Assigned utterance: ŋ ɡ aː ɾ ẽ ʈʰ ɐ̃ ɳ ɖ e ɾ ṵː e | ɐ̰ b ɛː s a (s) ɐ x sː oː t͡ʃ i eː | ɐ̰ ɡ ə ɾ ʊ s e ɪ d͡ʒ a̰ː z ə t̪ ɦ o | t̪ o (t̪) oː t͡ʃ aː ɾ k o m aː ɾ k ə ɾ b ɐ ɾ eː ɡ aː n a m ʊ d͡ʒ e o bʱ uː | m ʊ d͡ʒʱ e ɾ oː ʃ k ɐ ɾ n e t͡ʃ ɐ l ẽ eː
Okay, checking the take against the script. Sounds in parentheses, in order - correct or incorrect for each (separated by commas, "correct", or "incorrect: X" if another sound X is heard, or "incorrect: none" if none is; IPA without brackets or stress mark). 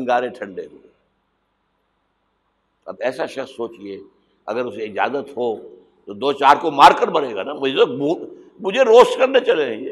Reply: incorrect: ʃ, incorrect: d̪